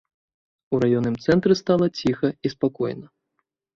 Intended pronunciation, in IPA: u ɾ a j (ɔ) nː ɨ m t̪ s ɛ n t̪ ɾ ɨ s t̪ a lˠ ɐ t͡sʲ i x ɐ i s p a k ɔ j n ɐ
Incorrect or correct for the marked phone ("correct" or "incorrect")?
correct